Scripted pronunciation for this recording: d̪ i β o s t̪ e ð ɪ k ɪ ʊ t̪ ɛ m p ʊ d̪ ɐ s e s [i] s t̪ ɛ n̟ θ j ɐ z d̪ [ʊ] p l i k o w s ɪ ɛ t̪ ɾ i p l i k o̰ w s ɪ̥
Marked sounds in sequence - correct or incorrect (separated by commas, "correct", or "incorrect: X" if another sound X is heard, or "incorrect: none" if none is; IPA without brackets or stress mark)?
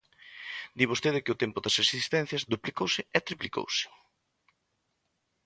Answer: correct, incorrect: u